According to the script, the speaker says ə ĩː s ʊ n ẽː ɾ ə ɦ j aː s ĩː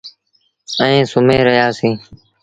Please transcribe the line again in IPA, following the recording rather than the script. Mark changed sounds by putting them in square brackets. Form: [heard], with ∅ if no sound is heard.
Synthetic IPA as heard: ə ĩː s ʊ [m] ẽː ɾ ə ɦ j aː s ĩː